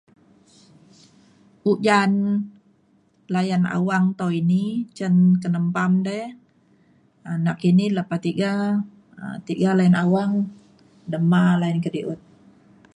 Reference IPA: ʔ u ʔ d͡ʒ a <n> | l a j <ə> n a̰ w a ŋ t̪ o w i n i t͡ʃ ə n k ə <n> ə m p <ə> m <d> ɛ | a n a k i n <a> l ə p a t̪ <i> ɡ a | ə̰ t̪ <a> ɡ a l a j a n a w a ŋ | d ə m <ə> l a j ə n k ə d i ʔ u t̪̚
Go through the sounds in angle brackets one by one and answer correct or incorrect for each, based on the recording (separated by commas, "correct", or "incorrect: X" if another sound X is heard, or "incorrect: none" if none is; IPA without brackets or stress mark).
correct, incorrect: a, correct, incorrect: a, correct, incorrect: i, correct, incorrect: i, incorrect: a